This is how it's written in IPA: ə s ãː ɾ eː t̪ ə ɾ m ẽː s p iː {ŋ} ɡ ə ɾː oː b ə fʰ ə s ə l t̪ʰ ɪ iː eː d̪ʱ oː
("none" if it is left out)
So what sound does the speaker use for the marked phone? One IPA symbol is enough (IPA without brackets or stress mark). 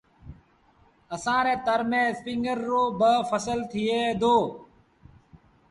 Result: ŋ